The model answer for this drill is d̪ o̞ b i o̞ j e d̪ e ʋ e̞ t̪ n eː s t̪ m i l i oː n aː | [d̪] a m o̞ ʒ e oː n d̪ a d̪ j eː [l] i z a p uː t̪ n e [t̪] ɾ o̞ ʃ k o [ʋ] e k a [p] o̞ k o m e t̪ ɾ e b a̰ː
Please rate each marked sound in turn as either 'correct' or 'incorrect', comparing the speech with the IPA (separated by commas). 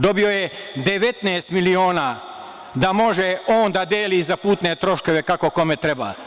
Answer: correct, correct, correct, correct, incorrect